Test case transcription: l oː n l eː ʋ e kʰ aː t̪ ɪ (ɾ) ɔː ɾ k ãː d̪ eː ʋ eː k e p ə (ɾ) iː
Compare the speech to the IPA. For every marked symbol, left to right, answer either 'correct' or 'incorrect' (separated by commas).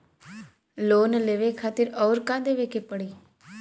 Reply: correct, incorrect